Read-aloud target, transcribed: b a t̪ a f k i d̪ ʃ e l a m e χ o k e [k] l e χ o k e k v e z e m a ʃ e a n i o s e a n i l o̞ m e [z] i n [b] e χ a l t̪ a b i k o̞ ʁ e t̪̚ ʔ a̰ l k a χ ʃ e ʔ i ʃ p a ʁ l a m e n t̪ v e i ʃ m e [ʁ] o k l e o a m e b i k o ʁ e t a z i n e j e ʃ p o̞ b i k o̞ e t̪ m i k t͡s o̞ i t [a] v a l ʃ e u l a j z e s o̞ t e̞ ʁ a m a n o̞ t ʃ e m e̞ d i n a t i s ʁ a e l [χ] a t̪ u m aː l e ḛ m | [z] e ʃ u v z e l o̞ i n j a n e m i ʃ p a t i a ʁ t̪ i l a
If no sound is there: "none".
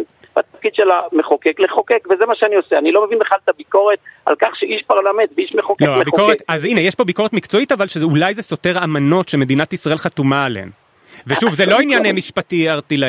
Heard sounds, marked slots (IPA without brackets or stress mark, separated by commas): k, v, b, χ, a, χ, v